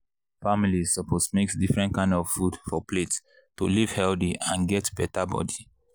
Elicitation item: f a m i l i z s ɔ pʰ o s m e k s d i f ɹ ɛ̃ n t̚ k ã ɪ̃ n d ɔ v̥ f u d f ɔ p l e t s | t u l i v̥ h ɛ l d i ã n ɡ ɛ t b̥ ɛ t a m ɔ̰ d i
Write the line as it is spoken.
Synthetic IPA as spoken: f a m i l i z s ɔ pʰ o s m e k s d i f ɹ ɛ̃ n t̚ k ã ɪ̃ n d ɔ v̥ f u d f ɔ p l e t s | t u l i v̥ h ɛ l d i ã n ɡ ɛ t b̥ ɛ t a b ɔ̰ d i